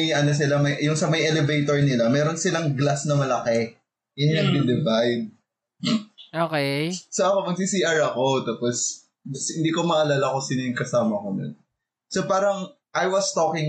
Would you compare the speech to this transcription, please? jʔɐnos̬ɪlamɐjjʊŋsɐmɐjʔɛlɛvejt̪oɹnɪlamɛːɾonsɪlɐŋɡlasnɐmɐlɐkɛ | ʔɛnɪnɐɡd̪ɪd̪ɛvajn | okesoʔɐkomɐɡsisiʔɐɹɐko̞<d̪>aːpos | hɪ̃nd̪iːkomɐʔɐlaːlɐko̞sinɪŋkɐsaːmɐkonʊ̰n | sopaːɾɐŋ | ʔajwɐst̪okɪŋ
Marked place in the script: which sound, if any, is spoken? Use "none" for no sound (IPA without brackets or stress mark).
t̪